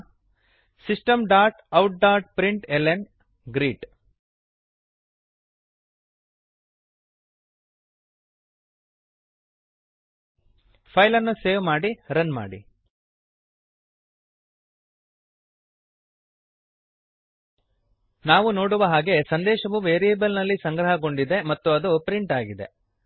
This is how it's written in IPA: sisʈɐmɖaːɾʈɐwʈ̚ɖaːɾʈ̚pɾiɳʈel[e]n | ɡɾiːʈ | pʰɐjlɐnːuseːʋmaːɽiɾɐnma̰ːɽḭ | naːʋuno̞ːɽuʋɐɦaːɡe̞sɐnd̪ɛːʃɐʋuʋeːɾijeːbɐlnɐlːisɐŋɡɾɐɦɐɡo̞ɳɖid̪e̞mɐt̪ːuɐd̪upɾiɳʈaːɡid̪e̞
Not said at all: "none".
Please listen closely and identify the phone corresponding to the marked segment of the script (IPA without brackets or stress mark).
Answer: e